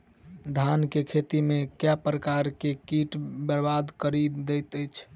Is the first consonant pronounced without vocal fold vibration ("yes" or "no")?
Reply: no